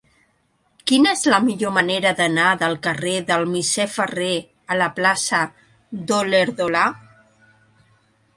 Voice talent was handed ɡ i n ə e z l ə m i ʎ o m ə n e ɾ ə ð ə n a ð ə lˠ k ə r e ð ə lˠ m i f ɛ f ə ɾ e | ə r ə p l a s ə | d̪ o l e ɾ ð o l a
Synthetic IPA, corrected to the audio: k i n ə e z l ə m i ʎ o m ə n e ɾ ə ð ə n a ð ə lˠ k ə r e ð ə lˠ m i s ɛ f ə r e | ə l ə p l a s ə | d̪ o l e ɾ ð o l a